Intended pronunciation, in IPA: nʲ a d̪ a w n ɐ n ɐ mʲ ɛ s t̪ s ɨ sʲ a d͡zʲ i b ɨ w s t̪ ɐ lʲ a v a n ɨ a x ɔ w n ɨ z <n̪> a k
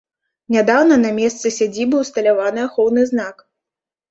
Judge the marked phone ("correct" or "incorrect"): correct